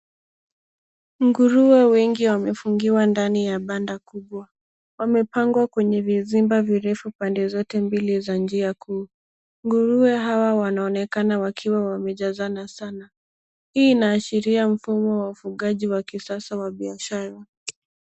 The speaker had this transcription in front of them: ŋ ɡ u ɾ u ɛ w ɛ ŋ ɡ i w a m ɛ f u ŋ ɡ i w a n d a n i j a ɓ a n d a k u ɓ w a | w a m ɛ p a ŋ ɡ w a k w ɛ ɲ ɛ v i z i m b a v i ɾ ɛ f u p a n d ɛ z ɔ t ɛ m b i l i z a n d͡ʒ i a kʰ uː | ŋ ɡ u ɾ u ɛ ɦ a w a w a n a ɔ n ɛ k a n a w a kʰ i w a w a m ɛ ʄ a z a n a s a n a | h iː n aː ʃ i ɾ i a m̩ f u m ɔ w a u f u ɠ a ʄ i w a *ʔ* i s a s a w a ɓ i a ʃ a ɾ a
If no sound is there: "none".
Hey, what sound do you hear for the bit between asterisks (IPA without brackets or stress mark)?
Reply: k